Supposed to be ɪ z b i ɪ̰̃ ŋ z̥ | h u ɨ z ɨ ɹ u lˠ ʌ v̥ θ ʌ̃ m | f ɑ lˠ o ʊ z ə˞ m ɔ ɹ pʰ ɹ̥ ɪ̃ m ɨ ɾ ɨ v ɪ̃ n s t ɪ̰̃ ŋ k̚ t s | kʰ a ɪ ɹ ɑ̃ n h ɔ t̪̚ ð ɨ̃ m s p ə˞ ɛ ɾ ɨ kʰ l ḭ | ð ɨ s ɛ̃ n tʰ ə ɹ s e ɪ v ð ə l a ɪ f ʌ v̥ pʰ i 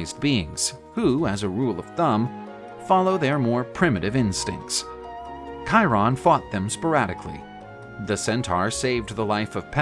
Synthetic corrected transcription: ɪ z b i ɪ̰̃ ŋ z̥ | h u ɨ z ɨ ɹ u lˠ ʌ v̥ θ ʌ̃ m | f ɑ lˠ o ʊ ð ə˞ m ɔ ɹ pʰ ɹ̥ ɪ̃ m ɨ ɾ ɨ v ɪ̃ n s t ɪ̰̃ ŋ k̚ t s | kʰ a ɪ ɹ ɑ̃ n f ɔ t̪̚ ð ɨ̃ m s p ə˞ æ ɾ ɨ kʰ l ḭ | ð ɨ s ɛ̃ n tʰ ɑ ɹ s e ɪ v ð ə l a ɪ f ʌ v̥ pʰ ɛ